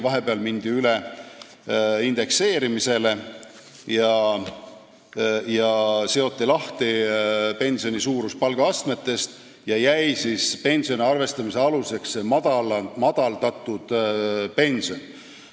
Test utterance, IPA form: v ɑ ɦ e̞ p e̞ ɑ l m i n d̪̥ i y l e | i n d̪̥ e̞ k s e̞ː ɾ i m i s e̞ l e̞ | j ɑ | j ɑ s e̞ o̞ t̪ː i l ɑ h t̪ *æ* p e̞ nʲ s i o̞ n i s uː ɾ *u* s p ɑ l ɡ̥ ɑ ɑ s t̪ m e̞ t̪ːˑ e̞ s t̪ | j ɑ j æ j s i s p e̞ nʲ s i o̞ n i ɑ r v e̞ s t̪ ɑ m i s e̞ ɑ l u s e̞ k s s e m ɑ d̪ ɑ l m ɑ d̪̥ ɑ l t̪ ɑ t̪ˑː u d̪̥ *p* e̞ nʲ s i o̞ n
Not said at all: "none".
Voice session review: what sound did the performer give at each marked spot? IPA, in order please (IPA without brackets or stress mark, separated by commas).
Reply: i, u, p